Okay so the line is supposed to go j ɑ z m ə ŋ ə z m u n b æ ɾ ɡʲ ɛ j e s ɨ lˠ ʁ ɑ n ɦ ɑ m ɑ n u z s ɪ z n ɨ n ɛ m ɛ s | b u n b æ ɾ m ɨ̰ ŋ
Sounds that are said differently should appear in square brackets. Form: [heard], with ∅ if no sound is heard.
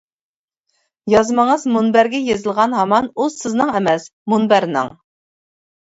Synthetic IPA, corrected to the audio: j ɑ z m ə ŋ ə z m u n b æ ɾ ɡʲ ɛ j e [z] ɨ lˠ ʁ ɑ n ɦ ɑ m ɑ n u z s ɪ z n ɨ [ŋ] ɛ m ɛ s | [m] u n b æ ɾ [n] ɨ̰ ŋ